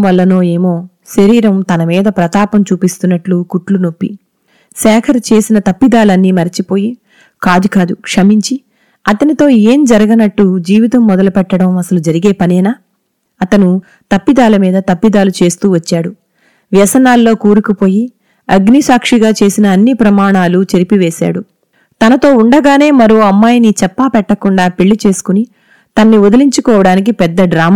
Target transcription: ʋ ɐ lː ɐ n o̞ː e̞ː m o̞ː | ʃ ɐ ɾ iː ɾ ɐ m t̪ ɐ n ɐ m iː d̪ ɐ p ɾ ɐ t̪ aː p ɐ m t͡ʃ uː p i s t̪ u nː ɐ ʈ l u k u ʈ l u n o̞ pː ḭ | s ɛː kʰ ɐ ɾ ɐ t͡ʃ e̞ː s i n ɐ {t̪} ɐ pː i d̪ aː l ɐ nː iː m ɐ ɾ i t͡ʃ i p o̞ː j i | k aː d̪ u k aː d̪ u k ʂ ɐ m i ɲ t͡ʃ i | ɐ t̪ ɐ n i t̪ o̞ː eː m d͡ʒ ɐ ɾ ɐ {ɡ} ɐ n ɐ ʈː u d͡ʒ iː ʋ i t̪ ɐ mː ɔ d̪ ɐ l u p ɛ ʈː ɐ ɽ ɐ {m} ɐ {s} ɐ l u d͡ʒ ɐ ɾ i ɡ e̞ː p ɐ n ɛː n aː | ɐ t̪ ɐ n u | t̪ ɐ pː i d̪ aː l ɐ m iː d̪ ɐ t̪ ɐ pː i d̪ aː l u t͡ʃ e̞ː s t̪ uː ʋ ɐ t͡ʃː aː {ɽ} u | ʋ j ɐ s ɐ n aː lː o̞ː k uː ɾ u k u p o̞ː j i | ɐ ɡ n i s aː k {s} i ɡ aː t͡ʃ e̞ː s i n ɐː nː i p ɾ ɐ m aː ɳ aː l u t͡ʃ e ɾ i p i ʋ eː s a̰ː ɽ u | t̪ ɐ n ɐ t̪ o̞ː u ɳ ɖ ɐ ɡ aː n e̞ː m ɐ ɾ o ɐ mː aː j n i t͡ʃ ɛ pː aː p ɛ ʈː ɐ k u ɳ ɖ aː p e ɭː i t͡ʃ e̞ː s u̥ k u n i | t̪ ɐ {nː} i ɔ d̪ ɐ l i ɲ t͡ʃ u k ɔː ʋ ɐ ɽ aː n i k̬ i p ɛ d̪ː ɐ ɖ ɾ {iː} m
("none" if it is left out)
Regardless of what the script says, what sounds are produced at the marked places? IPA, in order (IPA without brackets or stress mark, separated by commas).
t̪, ɡ, m, s, ɽ, ʂ, nː, aː